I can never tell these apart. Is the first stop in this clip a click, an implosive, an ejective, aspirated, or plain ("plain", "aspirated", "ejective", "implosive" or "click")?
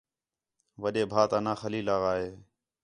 implosive